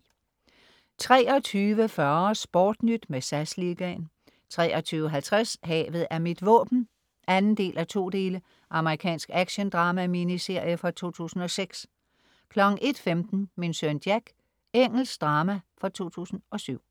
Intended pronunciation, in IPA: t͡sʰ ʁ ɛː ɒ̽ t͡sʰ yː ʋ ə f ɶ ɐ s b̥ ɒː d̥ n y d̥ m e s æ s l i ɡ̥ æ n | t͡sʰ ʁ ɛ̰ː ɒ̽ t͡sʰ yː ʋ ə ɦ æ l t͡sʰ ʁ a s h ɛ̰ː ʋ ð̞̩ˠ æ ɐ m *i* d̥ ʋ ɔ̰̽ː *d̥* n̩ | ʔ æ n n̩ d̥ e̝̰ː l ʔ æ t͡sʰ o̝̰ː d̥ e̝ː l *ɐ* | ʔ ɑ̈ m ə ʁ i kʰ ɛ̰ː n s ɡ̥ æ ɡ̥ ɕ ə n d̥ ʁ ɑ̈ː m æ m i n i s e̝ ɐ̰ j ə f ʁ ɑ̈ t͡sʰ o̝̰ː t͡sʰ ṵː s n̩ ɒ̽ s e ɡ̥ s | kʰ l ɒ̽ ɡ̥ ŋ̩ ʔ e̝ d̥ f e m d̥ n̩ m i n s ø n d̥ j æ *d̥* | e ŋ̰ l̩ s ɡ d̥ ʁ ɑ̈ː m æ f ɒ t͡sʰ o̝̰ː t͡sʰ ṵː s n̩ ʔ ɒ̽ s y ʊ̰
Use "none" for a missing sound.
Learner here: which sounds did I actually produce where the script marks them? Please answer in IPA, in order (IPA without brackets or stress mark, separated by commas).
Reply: i, b̥, ə, ɡ̥